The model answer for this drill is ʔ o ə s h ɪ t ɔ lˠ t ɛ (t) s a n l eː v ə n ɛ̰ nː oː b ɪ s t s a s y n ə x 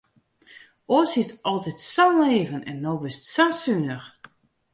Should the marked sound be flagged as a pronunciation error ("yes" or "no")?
no